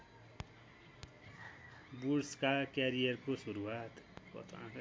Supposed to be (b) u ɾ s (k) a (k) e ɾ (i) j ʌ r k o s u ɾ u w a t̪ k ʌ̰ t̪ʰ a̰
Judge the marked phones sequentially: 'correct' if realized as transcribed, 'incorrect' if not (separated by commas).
correct, correct, correct, correct